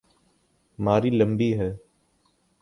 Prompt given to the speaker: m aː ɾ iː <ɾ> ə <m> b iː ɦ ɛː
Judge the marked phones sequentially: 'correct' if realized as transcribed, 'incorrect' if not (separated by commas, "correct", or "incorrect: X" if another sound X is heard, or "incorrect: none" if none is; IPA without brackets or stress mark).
incorrect: l, correct